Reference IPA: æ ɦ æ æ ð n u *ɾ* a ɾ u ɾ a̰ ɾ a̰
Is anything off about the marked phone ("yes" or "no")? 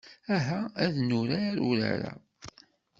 no